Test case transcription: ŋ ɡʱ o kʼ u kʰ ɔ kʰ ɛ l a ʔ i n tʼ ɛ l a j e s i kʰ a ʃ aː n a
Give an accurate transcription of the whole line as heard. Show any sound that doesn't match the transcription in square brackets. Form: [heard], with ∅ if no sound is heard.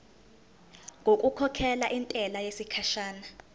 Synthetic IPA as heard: ŋ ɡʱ o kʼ u kʰ ɔ kʰ ɛ l a ʔ i n tʼ ɛ l a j e s i kʰ a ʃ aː n a

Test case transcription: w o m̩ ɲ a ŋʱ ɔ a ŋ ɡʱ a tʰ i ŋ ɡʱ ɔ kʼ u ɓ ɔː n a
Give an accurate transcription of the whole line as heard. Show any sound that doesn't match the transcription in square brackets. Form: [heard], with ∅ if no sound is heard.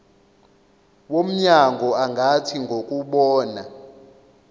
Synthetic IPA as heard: w o m̩ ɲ a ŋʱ ɔ a ŋ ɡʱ a tʰ i ŋ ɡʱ [o] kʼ u ɓ ɔː n a

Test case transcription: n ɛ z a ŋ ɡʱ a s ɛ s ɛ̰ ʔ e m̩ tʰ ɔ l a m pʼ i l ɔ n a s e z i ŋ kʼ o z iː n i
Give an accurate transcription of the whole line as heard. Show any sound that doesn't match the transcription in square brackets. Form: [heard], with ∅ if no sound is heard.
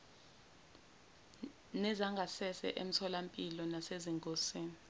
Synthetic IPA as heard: n ɛ z a ŋ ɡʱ a s ɛ s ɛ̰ ʔ e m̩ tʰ ɔ l a m pʼ i l ɔ n a s e z i ŋ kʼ o [s] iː n i

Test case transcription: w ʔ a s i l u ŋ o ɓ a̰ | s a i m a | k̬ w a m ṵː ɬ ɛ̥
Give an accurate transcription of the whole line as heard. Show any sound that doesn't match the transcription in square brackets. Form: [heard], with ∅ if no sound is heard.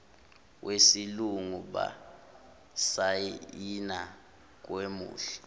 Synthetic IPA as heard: w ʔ [e] s i l u ŋ [u] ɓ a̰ | s a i [n] a | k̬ w [e] m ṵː ɬ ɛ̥

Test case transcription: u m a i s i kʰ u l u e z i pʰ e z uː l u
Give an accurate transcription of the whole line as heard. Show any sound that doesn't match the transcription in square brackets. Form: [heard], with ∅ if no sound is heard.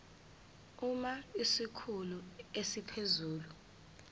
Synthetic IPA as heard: u m a i s i kʰ u l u e [s] i pʰ e z uː l u

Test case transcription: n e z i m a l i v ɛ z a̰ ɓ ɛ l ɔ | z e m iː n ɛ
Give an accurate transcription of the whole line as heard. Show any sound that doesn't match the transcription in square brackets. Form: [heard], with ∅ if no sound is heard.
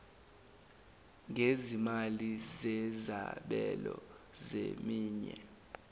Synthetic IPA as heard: [ŋ] e z i m a l i [z] ɛ z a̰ ɓ ɛ l ɔ | z e m iː [ɲ] ɛ

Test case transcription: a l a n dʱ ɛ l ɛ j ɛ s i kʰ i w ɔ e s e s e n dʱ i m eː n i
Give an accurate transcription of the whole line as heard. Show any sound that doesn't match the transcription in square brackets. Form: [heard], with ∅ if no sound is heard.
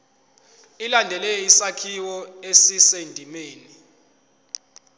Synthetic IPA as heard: [i] l a n dʱ ɛ l ɛ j [i] s [a] kʰ i w ɔ e s [i] s e n dʱ i m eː n i

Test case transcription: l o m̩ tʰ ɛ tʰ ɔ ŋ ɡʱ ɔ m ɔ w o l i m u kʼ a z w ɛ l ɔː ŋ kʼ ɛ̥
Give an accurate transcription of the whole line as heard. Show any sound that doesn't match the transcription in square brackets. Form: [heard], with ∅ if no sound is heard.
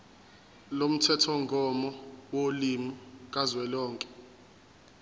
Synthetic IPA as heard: l o m̩ tʰ ɛ tʰ ɔ ŋ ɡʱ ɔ m ɔ w o l i m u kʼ a z w ɛ l ɔː ŋ kʼ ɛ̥

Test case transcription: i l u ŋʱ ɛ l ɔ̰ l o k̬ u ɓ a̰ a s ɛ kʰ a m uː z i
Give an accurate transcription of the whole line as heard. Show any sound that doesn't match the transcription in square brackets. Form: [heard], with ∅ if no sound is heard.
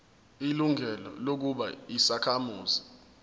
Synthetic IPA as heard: i l u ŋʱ ɛ l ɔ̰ l o k̬ u ɓ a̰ [i] s [a] kʰ a m uː z i

